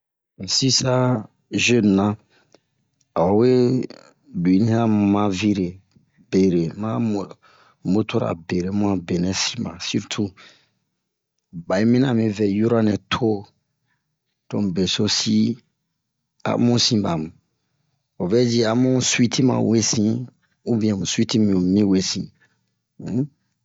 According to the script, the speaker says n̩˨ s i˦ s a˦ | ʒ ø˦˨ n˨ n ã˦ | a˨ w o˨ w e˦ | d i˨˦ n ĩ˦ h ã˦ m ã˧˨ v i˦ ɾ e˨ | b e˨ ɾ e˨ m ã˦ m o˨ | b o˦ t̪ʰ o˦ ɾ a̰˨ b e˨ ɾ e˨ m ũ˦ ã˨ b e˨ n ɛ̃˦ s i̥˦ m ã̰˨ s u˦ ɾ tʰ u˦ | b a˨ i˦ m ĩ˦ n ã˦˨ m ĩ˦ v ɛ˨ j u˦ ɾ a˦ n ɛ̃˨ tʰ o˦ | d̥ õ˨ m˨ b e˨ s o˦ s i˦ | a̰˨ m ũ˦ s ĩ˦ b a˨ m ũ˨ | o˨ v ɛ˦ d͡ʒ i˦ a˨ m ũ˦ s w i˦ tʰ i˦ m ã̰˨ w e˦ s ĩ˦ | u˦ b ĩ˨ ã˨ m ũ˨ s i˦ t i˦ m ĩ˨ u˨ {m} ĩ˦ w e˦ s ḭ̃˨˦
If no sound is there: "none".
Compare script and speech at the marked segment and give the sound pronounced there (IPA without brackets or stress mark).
m